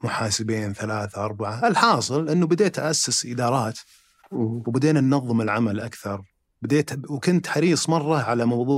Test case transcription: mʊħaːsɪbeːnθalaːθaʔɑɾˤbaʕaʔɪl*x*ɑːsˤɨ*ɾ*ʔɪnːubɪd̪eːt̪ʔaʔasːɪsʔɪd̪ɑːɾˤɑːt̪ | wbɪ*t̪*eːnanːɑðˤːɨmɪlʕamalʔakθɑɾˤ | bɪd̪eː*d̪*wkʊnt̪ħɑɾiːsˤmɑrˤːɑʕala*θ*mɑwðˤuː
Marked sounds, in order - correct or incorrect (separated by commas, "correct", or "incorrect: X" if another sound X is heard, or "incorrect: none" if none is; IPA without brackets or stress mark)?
incorrect: ħ, incorrect: l, incorrect: d̪, incorrect: t̪, incorrect: none